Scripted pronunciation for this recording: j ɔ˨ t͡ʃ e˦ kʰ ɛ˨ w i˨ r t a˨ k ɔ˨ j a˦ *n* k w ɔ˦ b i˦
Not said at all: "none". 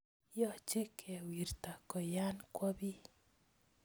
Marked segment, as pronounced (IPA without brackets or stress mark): n